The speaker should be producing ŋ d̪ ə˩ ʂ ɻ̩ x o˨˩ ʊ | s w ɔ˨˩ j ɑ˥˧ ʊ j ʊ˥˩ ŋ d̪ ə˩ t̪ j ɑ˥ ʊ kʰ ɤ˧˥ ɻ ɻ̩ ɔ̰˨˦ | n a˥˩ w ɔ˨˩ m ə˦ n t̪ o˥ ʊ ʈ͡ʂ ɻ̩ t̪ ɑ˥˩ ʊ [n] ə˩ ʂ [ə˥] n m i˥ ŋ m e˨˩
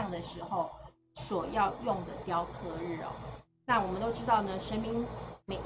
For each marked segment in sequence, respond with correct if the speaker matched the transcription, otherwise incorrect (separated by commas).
correct, correct